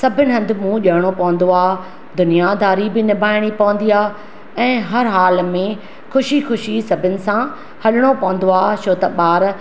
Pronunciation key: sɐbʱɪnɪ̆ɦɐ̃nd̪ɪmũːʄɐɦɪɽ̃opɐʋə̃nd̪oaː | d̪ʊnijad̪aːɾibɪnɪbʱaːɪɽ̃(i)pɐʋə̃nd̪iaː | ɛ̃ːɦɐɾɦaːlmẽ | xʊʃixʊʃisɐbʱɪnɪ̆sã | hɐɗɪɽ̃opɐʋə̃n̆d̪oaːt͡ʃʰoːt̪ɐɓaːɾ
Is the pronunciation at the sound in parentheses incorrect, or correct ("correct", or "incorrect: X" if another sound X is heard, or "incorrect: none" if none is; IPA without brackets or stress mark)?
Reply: correct